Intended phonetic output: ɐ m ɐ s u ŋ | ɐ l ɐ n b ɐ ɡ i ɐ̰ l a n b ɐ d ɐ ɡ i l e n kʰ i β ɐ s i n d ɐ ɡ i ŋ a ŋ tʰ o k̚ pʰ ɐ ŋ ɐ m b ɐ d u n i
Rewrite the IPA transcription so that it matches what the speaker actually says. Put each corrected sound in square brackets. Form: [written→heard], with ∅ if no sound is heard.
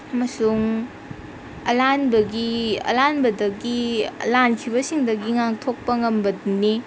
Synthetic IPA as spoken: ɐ m ɐ s u ŋ | ɐ l [ɐ→a] n b ɐ ɡ i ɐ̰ l a n b ɐ d ɐ ɡ i l [e→a] n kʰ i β ɐ s i [n→ŋ] d ɐ ɡ i ŋ a ŋ tʰ o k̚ [pʰ→p] ɐ ŋ ɐ m b ɐ d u n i